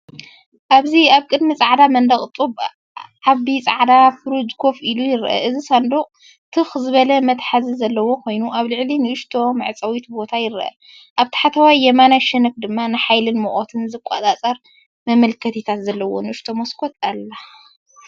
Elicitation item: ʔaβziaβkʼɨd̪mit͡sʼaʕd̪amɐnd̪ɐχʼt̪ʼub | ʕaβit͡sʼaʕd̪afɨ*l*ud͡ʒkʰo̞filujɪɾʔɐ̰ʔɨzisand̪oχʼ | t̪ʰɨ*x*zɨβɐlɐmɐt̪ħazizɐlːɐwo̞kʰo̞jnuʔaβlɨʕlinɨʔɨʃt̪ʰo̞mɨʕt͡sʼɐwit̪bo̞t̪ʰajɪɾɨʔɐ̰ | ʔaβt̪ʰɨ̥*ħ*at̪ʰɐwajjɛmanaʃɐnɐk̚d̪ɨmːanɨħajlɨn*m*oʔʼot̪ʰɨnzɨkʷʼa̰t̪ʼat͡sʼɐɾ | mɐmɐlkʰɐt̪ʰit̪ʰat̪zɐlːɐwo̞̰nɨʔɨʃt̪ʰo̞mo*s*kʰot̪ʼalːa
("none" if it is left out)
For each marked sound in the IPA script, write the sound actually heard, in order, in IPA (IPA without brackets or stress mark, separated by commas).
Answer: ɾ, x, ħ, m, s